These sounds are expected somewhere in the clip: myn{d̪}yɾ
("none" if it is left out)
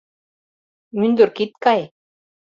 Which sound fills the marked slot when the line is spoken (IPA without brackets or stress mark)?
d̪